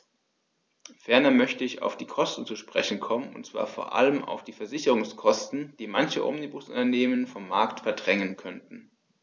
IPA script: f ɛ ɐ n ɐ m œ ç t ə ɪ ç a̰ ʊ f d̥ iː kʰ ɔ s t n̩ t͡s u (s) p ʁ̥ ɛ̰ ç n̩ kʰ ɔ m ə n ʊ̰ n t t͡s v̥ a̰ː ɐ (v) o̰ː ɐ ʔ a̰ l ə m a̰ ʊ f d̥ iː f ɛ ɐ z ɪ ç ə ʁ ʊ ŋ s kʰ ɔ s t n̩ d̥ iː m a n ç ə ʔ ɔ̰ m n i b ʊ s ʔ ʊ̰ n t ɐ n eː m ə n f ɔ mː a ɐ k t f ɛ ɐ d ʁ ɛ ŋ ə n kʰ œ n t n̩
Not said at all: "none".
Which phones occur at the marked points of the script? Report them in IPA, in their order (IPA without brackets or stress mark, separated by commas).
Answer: ʃ, f